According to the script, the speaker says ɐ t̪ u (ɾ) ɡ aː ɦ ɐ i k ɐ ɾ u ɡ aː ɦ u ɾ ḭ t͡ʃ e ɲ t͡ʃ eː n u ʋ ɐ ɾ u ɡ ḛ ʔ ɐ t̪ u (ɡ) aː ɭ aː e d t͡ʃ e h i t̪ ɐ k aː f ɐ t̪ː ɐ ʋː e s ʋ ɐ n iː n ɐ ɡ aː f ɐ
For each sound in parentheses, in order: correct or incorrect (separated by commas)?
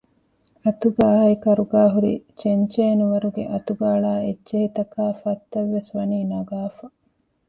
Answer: incorrect, correct